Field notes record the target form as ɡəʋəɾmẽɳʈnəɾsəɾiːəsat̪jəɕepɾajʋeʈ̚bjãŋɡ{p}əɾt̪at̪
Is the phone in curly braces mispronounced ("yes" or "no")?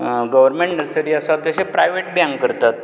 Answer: yes